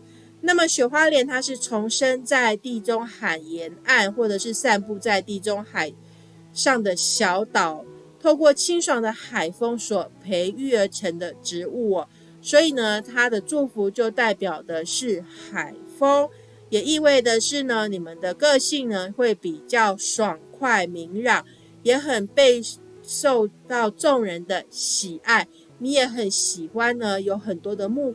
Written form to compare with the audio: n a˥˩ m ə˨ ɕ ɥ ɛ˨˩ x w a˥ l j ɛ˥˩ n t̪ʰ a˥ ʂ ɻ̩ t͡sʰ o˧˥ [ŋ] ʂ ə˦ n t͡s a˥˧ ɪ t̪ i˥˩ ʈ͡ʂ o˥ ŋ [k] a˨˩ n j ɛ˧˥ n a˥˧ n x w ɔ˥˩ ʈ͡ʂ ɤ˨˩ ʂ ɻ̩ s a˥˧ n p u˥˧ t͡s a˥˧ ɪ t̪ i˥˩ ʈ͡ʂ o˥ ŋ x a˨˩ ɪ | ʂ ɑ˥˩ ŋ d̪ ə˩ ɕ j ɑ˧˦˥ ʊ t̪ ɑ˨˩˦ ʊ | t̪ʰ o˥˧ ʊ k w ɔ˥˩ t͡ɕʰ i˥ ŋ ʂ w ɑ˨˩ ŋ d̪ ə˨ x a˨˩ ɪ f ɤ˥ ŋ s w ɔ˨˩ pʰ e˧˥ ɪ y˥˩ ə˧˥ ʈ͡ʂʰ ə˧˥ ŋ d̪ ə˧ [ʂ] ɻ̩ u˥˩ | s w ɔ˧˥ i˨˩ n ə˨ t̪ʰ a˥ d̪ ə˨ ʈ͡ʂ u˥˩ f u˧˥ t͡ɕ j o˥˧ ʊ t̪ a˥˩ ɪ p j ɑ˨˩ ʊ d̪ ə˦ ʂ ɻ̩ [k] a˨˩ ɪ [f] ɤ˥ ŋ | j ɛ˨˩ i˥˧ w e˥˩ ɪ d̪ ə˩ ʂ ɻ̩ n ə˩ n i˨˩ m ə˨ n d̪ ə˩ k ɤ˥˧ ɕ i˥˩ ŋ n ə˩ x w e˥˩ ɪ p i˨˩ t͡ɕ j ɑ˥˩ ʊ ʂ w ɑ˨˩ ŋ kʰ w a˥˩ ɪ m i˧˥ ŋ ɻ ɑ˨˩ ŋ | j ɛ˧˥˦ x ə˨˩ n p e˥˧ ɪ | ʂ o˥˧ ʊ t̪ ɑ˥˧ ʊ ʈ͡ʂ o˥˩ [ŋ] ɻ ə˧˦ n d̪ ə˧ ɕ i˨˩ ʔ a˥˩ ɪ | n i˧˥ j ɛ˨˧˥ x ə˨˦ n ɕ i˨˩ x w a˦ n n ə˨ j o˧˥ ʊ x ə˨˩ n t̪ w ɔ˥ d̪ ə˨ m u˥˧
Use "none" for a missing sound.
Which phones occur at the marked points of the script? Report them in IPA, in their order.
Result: ŋ, x, ʈ͡ʂ, x, f, ŋ

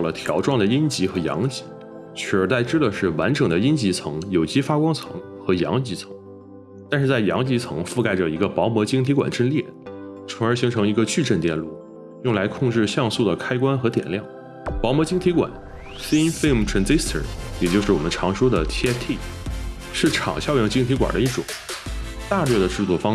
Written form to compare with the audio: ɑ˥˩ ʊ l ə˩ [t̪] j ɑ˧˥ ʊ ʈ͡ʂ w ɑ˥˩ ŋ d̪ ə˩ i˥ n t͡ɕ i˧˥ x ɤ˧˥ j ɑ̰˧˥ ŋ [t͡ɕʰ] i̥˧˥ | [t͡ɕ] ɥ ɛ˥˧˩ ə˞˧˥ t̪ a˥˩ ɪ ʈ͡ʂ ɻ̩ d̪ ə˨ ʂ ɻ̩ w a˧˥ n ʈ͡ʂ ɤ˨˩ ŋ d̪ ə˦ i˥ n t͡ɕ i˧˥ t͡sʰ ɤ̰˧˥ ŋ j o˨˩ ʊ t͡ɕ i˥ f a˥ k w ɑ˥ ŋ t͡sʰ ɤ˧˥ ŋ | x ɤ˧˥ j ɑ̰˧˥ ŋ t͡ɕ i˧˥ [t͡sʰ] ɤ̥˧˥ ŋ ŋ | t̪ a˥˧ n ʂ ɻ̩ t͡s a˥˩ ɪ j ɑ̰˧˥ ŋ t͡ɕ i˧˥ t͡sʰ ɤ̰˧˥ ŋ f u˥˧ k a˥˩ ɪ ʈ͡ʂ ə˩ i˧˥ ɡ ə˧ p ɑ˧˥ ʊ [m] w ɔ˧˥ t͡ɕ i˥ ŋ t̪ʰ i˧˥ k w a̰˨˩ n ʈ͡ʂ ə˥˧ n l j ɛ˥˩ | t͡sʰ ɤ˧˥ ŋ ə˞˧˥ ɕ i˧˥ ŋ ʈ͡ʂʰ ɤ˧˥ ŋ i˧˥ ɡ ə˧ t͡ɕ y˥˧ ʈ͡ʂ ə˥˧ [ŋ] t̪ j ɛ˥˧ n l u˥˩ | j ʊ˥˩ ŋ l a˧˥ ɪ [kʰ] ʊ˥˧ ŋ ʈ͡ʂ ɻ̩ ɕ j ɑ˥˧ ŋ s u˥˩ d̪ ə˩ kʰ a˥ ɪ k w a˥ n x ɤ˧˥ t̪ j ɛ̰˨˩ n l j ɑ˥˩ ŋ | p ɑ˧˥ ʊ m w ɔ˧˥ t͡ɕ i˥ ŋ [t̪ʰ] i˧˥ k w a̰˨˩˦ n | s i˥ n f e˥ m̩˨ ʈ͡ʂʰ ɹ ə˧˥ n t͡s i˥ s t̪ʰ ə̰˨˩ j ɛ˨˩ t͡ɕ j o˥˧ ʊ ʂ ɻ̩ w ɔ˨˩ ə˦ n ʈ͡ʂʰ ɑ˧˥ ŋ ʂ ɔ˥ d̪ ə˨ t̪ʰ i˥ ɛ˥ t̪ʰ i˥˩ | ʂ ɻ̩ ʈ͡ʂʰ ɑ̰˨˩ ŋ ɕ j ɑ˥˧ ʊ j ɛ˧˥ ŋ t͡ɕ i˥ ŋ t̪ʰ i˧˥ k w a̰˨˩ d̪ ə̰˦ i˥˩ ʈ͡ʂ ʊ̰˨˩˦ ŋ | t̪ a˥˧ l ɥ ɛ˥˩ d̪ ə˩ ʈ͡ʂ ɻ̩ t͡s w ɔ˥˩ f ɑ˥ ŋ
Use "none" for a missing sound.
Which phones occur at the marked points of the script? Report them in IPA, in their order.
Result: t̪ʰ, t͡ɕ, t͡ɕʰ, t͡sʰ, m, n, kʰ, t̪ʰ

